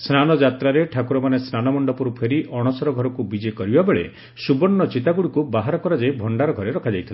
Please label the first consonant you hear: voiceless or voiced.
voiceless